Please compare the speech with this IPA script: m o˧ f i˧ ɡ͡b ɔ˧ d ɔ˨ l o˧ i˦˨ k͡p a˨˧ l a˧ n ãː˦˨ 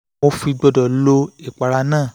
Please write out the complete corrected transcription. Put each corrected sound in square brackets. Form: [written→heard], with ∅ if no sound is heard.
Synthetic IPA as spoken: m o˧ f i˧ ɡ͡b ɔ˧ d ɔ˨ l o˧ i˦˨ k͡p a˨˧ [l→ɾ] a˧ n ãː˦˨